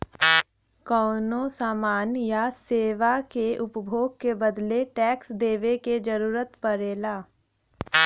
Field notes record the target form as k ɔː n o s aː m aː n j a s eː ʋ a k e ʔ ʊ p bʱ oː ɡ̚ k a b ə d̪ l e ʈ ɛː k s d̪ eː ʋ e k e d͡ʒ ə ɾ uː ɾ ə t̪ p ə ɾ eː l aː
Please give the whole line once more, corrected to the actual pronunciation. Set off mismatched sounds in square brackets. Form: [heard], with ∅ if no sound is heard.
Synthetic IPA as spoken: k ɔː n o s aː m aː n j a s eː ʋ a k e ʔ ʊ p bʱ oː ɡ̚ k [e] b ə d̪ l e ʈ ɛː k s d̪ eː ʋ e k e d͡ʒ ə ɾ uː ɾ ə t̪ p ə ɾ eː l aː